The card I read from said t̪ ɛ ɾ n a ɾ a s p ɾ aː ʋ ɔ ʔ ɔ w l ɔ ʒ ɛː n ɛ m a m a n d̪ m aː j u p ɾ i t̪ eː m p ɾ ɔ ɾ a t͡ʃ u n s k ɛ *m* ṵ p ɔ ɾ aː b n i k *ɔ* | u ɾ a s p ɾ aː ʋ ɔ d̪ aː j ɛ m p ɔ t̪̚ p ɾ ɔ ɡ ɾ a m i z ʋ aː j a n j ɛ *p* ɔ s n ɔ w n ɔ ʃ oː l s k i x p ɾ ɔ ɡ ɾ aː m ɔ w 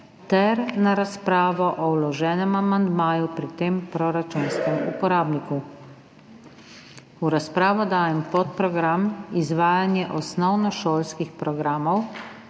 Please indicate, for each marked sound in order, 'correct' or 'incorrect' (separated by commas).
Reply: correct, incorrect, incorrect